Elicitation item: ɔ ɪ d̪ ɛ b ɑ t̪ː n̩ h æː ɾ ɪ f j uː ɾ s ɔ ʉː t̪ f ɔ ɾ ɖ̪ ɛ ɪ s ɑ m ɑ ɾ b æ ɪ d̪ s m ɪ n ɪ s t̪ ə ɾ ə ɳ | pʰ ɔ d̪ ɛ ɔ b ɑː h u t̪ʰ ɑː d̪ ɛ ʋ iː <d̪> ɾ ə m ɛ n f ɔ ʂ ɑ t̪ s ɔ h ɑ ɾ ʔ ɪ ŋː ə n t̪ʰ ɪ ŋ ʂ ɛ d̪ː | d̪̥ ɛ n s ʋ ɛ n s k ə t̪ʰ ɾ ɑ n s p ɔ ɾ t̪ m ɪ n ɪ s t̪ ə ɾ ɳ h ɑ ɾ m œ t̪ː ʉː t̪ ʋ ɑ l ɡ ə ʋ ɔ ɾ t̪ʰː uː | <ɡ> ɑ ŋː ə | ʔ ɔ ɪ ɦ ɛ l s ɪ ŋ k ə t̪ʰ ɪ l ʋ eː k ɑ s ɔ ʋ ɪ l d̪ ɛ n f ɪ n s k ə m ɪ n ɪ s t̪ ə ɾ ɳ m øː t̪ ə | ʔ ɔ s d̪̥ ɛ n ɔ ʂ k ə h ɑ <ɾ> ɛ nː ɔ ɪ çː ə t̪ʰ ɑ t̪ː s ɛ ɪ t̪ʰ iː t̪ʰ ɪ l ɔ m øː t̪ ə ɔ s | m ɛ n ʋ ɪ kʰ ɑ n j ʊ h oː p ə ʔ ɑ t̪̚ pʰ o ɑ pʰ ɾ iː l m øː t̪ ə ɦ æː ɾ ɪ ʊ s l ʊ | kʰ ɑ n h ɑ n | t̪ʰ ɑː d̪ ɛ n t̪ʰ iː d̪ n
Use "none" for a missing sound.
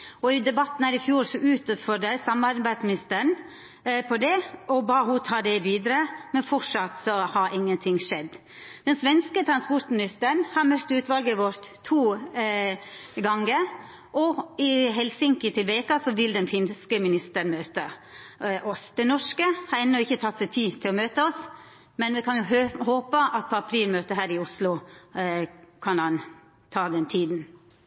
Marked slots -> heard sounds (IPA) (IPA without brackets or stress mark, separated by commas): d̪, ɡ, ɾ